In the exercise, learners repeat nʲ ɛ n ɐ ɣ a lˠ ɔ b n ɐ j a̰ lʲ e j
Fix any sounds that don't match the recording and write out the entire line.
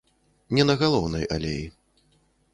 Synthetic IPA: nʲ ɛ n ɐ ɣ a lˠ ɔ w n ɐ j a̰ lʲ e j